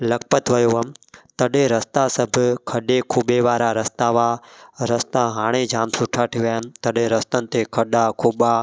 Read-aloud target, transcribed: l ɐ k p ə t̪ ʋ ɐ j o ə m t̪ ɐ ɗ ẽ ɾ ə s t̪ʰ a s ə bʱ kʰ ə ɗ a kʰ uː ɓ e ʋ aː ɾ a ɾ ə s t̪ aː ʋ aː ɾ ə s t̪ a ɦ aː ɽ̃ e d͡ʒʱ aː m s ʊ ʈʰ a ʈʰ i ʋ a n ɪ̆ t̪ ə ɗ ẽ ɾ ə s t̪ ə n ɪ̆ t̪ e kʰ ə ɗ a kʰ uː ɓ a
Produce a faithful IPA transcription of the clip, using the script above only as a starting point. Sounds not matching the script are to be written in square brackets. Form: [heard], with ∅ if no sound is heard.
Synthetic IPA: l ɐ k p ə t̪ ʋ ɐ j o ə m t̪ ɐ ɗ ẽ ɾ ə s [t̪] a s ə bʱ kʰ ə ɗ [e] kʰ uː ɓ e ʋ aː ɾ a ɾ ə s t̪ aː ʋ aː ɾ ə s t̪ a ɦ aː ɽ̃ e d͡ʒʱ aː m s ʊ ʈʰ a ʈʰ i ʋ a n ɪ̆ t̪ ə ɗ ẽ ɾ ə s t̪ ə n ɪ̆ t̪ e kʰ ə ɗ a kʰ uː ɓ a